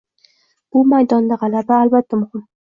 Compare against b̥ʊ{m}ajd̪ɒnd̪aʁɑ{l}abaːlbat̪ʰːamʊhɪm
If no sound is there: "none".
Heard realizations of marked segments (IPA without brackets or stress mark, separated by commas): m, l